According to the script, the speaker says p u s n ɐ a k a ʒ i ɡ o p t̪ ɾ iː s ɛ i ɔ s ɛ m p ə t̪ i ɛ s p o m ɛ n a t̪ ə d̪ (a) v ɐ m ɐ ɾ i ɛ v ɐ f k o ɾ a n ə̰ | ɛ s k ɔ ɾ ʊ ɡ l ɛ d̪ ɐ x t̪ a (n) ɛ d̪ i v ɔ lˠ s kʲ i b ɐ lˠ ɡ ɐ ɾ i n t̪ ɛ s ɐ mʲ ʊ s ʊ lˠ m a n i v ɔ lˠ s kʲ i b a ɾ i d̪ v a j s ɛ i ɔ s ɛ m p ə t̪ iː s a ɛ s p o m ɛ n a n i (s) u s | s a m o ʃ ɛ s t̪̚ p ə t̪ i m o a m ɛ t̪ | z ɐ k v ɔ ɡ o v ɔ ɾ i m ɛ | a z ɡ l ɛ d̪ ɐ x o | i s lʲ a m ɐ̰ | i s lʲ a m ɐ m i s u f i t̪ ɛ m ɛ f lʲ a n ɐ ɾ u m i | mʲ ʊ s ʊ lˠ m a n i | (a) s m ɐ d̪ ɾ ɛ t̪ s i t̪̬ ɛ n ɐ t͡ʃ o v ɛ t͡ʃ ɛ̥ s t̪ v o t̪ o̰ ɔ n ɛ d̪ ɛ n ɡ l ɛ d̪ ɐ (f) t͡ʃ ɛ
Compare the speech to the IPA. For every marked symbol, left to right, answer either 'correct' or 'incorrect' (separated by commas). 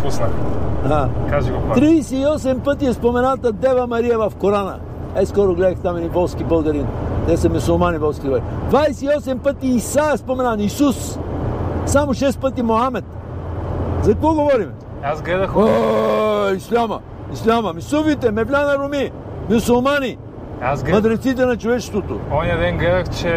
incorrect, incorrect, correct, correct, incorrect